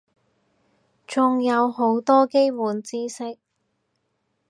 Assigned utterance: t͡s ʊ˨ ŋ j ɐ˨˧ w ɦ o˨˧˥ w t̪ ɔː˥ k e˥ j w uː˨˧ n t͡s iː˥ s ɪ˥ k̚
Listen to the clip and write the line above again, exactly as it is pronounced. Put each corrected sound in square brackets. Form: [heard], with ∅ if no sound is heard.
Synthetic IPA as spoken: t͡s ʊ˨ ŋ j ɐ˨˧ w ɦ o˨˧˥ w t̪ ɔː˥ k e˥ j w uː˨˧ n t͡s iː˥ s ɪ˥ k̚